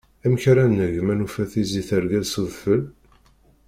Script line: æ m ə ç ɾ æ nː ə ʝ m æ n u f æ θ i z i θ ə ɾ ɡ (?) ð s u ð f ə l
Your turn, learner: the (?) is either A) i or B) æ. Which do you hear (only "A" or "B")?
B